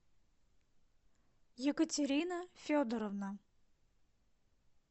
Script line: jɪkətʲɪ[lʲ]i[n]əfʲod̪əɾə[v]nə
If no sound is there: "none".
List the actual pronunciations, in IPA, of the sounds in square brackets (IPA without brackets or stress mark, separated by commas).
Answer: ɾʲ, n, v